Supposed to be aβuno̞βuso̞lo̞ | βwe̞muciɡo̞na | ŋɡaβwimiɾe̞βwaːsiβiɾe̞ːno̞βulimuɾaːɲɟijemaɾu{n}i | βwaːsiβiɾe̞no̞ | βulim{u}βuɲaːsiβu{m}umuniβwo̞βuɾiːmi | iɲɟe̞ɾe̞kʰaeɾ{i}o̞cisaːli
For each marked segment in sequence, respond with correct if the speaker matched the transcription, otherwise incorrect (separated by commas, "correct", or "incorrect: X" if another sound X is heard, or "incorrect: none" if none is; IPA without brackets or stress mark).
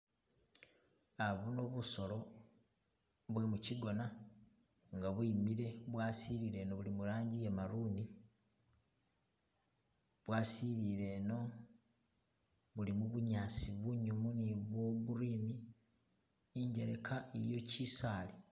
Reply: correct, correct, incorrect: ɲ, incorrect: j